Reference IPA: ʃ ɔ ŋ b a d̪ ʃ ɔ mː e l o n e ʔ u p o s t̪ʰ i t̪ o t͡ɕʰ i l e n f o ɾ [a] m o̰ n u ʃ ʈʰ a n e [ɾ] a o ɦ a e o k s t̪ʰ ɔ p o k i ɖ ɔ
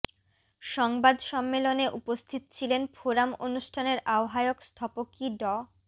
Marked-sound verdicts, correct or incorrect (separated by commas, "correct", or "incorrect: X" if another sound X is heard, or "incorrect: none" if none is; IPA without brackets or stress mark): correct, correct